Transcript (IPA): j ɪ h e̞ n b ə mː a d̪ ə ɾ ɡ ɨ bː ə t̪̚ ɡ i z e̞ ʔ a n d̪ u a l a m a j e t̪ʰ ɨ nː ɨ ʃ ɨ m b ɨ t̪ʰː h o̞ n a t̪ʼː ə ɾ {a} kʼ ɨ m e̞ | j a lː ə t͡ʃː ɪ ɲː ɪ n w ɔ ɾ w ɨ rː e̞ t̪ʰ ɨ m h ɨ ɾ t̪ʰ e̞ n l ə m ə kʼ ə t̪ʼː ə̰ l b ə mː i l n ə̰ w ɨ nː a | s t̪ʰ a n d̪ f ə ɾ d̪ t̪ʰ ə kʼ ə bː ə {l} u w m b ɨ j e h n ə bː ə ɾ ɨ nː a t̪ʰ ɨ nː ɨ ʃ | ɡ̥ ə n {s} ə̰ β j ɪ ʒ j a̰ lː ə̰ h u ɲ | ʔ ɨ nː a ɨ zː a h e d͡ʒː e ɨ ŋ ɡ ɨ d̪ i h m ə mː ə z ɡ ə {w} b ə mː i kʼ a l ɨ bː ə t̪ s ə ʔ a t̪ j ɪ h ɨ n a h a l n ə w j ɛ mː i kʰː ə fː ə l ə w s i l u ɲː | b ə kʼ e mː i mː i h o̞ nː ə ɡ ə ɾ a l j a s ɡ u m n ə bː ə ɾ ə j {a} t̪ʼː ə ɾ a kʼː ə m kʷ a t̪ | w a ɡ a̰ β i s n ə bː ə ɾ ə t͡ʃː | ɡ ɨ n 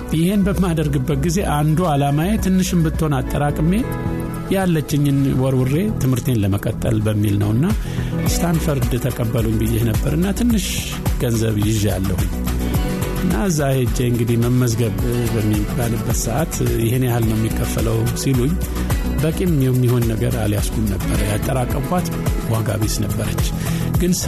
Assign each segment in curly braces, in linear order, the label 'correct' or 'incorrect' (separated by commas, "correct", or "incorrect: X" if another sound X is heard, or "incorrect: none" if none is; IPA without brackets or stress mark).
correct, correct, incorrect: z, incorrect: β, correct